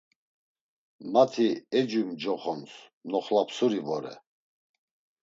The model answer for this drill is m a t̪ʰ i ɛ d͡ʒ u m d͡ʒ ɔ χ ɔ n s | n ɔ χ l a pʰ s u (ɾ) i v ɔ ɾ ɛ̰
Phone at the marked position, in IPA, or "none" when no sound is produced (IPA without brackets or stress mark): ɾ